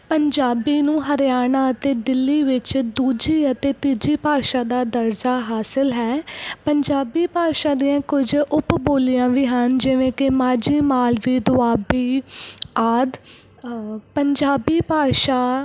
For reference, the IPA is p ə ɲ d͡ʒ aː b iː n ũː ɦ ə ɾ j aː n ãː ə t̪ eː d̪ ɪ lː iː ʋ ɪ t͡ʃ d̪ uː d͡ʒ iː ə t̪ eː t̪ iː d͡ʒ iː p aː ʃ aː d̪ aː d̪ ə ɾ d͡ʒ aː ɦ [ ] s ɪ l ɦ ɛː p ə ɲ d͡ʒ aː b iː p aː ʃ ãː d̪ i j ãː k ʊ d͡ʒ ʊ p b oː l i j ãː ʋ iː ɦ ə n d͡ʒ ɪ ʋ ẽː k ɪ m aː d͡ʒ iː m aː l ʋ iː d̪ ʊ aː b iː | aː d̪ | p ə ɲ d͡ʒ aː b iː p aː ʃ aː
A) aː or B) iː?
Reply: A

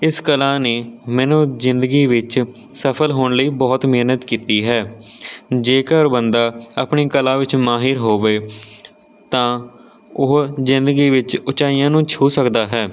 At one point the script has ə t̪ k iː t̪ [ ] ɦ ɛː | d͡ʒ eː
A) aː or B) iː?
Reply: B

